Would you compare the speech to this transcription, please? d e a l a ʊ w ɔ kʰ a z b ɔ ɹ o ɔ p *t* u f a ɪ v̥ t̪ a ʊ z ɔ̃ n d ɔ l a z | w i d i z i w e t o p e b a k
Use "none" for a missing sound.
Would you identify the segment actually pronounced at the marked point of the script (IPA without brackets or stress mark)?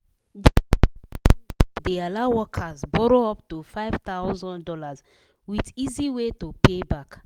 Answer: t